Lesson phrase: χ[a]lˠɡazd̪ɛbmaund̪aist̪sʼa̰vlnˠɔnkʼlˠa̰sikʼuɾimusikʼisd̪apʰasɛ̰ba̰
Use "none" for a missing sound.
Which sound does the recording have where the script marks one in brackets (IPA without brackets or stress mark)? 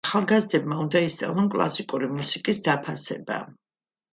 a